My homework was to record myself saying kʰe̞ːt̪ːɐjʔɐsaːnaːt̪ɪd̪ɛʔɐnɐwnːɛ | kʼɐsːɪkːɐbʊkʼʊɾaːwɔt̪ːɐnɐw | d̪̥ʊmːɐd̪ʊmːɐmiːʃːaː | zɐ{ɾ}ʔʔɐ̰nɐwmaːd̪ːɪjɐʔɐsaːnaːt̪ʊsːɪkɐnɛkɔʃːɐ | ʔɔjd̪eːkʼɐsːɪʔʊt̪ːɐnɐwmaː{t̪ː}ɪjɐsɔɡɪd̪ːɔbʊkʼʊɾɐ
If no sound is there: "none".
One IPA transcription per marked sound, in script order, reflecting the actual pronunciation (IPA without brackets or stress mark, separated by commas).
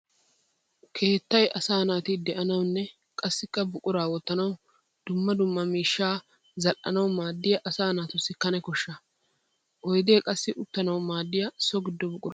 l, d̪ː